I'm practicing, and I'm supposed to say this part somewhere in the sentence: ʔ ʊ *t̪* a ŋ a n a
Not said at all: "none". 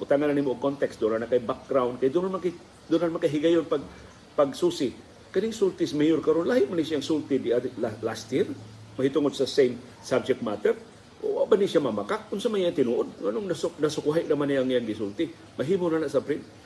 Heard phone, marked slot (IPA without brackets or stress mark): t̪